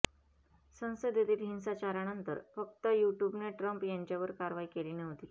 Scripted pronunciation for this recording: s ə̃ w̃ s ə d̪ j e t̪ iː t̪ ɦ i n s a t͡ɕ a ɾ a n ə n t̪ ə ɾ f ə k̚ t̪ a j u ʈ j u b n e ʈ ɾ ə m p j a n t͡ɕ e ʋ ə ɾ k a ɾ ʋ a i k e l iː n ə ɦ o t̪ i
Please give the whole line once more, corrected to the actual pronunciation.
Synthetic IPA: s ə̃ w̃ s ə d̪ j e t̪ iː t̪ ɦ i n s a t͡ɕ a ɾ a n ə n t̪ ə ɾ f ə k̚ t̪ ə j u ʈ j u b n e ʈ ɾ ə m p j a ɲ t͡ɕ a ʋ ə ɾ k a ɾ ʋ a i k e l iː n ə ɦ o t̪ i

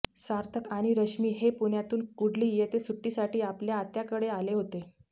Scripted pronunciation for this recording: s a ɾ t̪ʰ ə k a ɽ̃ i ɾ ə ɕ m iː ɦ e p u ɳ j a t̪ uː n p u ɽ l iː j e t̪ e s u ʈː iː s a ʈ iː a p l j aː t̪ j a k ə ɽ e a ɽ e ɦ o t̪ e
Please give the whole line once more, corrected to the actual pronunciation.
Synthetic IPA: s a ɾ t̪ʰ ə k a ɽ̃ i ɾ ə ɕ m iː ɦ e p u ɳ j a t̪ uː n k u ɽ l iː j e t̪ e s u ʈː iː s a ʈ iː a p l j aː t̪ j a k ə ɽ e a l e ɦ o t̪ e

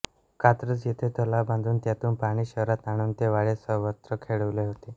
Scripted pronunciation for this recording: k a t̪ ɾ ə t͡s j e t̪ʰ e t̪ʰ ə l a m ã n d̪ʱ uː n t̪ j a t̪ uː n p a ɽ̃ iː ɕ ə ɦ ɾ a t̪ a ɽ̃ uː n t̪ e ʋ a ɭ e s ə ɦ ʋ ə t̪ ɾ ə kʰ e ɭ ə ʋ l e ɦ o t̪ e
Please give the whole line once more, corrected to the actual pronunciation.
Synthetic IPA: k a t̪ ɾ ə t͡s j e t̪ʰ e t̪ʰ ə l a b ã n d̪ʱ uː n t̪ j a t̪ uː n p a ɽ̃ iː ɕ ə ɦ ɾ a t̪ a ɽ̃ uː n t̪ e ʋ a ɭ e s ə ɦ ʋ ə t̪ ɾ ə kʰ e ɭ ə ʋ l e ɦ o t̪ e

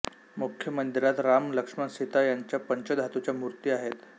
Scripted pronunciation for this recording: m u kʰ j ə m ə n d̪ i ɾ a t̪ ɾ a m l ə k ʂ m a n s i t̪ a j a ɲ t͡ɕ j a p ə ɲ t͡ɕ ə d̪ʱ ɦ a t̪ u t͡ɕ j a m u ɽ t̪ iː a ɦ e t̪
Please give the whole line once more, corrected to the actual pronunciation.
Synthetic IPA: m u kʰ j ə m ə n d̪ i ɾ a t̪ ɾ a m l ə k ʂ m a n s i t̪ a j a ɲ t͡ɕ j a p ə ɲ t͡ɕ ə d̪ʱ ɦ a t̪ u t͡ɕ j a m u ɾ t̪ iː a ɦ e t̪

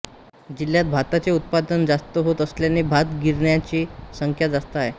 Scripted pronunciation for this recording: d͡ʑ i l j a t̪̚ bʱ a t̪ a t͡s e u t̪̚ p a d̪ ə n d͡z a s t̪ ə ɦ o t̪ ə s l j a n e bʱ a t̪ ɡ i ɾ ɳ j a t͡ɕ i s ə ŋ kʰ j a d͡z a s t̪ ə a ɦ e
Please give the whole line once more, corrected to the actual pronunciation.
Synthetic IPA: d͡ʑ i l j a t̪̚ bʱ a t̪ a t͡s e u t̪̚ p a d̪ ə n d͡z a s t̪ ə ɦ o t̪ ə s l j a n e bʱ a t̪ ɡ i ɾ ɳ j a t͡ɕ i s ə ŋ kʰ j a d͡z a s t̪ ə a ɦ e

